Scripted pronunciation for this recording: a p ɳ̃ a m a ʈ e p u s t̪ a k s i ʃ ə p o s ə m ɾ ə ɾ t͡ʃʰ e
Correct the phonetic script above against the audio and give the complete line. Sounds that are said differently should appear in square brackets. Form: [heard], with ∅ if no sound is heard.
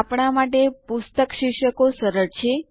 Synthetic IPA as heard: a p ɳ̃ a m a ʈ e p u s t̪ [ə] k [ʃ] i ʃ ə [k] o s ə [∅] ɾ ə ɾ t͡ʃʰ e